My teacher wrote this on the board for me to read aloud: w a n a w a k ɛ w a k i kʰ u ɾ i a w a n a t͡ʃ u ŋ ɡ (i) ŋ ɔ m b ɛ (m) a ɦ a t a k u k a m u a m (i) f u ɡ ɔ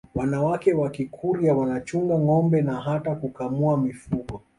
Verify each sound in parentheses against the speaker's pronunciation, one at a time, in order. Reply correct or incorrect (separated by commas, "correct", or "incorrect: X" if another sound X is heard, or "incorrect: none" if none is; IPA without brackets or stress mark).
incorrect: a, incorrect: n, correct